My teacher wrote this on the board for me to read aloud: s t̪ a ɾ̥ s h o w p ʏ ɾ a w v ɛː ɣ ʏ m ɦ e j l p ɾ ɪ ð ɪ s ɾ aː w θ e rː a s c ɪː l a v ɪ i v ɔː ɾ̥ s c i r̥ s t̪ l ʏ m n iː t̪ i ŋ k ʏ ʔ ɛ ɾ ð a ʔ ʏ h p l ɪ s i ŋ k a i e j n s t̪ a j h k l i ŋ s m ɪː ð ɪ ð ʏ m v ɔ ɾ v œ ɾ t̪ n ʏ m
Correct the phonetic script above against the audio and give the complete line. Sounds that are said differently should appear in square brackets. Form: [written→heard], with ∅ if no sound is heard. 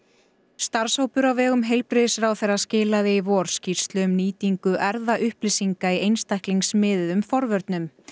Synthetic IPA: s t̪ a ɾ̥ s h o w p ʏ ɾ a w v ɛː ɣ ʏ m ɦ e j l p ɾ ɪ ð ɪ s ɾ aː w θ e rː a s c ɪː l a [v→ð] ɪ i v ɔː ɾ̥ s c i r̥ s t̪ l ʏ m n iː t̪ i ŋ k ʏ ʔ ɛ ɾ ð a ʔ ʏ h p l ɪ s i ŋ k a i e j n s t̪ a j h k l i ŋ s m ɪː ð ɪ ð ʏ m [v→f] ɔ ɾ v œ ɾ t̪ n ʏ m